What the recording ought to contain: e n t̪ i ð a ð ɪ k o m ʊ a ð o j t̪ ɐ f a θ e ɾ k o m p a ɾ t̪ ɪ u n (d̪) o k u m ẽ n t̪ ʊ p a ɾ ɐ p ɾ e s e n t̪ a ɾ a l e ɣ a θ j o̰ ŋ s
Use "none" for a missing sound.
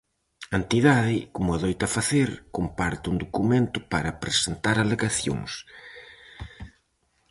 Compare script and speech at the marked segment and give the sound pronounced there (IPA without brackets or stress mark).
d̪